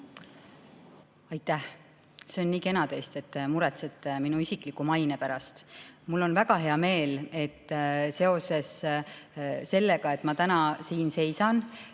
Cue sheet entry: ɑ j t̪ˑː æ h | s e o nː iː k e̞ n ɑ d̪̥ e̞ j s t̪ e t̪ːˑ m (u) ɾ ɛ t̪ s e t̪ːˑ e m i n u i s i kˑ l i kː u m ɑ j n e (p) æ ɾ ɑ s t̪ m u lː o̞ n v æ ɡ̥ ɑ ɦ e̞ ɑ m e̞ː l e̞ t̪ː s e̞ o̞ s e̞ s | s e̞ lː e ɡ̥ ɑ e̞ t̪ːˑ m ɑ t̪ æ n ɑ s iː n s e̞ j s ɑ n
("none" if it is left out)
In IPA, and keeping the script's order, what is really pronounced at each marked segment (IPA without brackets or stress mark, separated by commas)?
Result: u, p